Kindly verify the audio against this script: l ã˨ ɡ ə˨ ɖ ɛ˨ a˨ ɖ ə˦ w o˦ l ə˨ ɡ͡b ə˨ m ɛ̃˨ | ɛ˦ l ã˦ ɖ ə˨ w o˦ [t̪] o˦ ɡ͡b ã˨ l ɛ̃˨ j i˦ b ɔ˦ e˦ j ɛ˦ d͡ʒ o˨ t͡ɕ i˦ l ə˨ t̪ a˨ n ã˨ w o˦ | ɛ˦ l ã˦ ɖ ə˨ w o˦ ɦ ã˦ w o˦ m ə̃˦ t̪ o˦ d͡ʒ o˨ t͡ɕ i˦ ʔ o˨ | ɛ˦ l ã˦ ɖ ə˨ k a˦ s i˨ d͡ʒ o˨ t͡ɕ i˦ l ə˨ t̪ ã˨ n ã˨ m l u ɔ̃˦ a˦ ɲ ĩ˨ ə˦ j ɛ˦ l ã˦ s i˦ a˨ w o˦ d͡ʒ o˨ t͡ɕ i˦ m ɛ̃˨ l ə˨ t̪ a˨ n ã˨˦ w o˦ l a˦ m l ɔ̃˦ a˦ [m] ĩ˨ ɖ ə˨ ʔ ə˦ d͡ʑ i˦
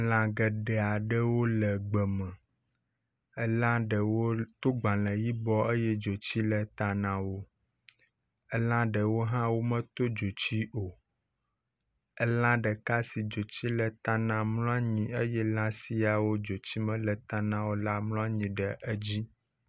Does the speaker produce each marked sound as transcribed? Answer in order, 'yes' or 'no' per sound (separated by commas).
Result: yes, no